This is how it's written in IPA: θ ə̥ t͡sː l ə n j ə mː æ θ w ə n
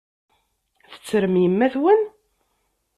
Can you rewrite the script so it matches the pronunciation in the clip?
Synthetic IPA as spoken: θ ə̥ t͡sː ɾ ə m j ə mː æ θ w ə n